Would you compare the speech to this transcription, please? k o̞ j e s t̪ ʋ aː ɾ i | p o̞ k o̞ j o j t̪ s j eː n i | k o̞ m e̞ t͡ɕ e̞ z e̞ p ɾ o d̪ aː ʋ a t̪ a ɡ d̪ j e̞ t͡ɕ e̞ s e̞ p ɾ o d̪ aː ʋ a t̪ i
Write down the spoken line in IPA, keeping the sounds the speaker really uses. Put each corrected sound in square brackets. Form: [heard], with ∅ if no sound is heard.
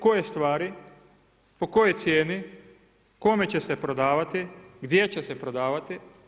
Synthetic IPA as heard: k o̞ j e s t̪ ʋ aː ɾ i | p o̞ k o̞ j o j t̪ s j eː n i | k o̞ m e̞ t͡ɕ e̞ [s] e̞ p ɾ o d̪ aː ʋ a t̪ [i] ɡ d̪ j e̞ t͡ɕ e̞ s e̞ p ɾ o d̪ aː ʋ a t̪ i